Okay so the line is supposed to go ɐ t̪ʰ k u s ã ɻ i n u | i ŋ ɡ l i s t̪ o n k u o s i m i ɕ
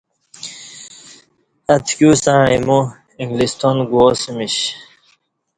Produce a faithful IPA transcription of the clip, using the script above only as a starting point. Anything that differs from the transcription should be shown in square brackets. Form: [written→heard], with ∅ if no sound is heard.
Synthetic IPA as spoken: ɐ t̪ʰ k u s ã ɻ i [n→m] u | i ŋ ɡ l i s t̪ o n [k→ɡ] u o s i m i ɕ